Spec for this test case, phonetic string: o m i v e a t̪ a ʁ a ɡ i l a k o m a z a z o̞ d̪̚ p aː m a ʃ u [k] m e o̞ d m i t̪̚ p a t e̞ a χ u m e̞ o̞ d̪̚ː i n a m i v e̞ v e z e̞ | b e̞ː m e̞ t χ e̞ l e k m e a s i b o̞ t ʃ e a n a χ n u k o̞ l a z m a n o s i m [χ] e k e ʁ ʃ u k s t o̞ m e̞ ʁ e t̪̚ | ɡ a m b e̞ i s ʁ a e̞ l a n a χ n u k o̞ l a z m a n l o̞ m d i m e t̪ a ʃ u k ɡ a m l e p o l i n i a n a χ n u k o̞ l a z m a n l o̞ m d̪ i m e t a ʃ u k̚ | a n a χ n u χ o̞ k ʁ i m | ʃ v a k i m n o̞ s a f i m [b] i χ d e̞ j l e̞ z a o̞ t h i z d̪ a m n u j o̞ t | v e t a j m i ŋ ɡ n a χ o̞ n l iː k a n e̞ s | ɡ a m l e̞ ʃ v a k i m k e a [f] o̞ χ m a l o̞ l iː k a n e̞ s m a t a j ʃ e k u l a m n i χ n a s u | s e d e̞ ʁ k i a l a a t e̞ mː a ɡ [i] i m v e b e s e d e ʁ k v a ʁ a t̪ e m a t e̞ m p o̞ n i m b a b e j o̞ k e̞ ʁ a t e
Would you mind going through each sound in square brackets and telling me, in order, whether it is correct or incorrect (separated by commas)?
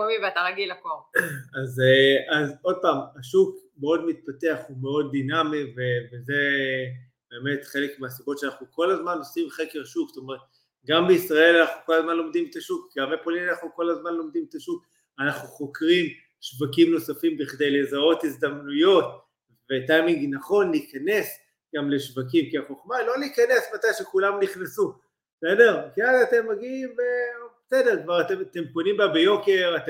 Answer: correct, correct, correct, incorrect, correct